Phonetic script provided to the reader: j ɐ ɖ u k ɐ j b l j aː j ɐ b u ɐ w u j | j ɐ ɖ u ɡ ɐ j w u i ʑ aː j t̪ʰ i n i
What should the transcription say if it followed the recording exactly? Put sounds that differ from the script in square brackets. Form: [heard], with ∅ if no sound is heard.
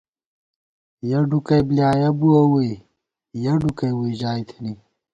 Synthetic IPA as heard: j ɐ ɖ u k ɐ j b l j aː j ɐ b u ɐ w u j | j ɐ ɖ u [k] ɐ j w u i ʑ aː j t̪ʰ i n i

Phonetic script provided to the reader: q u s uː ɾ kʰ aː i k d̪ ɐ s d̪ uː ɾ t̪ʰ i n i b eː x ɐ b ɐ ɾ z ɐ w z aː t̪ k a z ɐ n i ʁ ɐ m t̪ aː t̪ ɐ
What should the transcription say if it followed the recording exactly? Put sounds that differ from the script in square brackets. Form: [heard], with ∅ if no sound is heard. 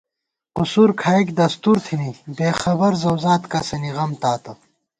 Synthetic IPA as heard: q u s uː ɾ kʰ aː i k d̪ ɐ s [t̪] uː ɾ t̪ʰ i n i b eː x ɐ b ɐ ɾ z ɐ w z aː t̪ k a [s] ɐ n i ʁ ɐ m t̪ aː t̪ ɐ

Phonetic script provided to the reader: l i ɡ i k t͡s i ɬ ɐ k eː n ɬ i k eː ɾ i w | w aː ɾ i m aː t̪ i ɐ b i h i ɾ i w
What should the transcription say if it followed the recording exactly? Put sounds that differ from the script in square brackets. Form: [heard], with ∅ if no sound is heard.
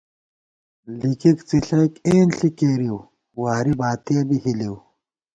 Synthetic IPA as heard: l i [k] i k t͡s i ɬ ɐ k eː n ɬ i k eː ɾ i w | w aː ɾ i [b] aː t̪ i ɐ b i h i [l] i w

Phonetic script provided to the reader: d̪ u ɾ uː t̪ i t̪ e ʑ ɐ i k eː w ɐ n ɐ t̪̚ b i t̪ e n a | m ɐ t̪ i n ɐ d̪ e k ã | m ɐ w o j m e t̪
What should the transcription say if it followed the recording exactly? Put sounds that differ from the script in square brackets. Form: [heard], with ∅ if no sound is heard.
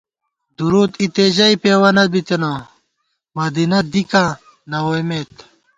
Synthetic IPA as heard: d̪ u ɾ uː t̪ i t̪ e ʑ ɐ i [p] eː w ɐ n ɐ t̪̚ b i t̪ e n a | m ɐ [d̪] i n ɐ d̪ [i] k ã | [n] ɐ w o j m e t̪

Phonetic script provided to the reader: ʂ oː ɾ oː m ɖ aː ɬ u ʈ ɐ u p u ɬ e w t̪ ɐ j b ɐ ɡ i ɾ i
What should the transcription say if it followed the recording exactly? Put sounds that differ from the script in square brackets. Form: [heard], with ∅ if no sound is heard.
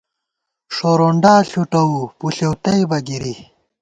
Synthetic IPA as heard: ʂ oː ɾ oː [ɳ] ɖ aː ɬ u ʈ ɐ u p u ɬ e w t̪ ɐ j b ɐ ɡ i ɾ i

